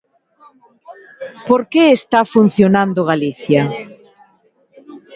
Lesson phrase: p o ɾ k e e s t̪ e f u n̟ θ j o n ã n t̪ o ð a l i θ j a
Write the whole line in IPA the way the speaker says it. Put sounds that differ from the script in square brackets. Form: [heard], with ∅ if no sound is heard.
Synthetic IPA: p o ɾ k e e s t̪ [a] f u n̟ θ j o n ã n [d̪] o [ɣ] a l i θ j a